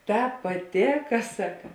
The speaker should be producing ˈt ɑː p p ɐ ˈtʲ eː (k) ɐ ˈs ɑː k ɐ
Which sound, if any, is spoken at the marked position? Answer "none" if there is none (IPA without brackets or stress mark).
k